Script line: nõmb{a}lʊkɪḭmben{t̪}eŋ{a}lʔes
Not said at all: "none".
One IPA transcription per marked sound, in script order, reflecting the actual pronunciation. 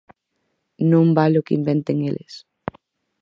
a, t̪, e

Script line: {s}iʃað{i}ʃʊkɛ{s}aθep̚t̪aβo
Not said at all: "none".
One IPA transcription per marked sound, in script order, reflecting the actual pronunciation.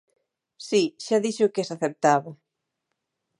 s, i, s

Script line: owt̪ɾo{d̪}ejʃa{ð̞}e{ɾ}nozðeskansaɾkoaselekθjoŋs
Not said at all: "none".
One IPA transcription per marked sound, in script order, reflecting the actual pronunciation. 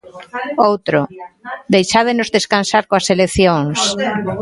d̪, ð̞, none

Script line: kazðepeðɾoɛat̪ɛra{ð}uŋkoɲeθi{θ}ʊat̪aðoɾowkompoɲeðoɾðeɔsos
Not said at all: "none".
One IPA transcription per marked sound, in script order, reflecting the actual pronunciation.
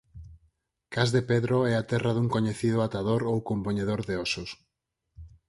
ð, ð

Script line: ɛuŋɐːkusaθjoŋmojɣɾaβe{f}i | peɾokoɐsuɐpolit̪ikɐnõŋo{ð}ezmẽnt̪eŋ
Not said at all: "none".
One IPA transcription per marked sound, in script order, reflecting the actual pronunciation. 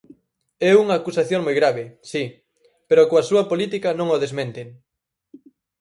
s, ð

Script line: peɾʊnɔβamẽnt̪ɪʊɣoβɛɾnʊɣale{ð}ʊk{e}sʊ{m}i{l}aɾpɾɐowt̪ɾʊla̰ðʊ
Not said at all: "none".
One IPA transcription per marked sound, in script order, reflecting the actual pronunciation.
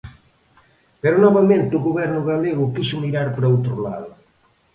ɣ, i, m, ɾ

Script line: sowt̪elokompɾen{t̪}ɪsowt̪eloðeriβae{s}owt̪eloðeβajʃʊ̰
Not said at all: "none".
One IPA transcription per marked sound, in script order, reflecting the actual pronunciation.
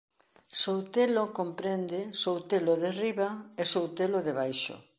d̪, s

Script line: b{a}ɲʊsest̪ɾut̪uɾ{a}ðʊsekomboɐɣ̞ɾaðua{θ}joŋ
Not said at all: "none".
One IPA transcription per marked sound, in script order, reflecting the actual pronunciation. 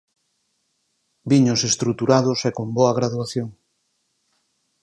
i, a, θ

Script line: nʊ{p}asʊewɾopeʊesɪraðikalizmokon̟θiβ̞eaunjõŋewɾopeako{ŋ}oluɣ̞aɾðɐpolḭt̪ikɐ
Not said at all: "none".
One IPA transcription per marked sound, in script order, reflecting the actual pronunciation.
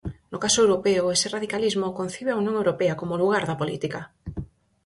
k, m

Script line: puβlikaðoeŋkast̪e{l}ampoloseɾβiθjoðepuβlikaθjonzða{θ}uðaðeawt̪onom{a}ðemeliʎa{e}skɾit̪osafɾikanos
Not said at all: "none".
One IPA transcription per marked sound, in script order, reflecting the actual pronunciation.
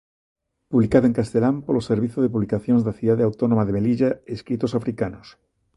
l, θ, a, e

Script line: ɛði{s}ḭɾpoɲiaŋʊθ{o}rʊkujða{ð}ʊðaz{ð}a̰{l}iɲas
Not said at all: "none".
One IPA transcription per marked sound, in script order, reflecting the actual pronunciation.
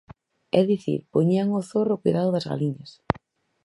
θ, o, ð, ɣ, l

